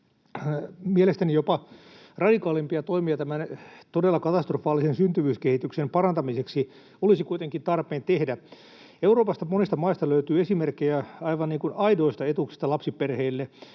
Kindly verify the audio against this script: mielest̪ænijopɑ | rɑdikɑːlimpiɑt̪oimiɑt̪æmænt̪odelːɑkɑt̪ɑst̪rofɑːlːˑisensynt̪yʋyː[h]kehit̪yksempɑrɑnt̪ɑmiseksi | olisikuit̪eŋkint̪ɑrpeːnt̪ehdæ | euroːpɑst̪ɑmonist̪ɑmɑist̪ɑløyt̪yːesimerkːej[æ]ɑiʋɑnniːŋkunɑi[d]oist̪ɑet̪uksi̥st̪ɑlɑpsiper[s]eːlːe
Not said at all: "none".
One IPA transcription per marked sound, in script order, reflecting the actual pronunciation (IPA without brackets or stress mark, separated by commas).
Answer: s, æ, d, h